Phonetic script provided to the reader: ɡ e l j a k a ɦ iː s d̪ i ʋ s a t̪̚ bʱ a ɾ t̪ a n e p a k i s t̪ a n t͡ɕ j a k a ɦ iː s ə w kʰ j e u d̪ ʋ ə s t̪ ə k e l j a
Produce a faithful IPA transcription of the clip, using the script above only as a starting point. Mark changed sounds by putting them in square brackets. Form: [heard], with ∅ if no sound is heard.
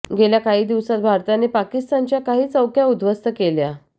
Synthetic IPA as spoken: ɡ e l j a k a ɦ iː [∅] d̪ i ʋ s a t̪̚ bʱ a ɾ t̪ a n e p a k i s t̪ a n t͡ɕ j a k a ɦ iː [t͡s] ə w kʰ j [a] u d̪ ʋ ə s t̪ ə k e l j a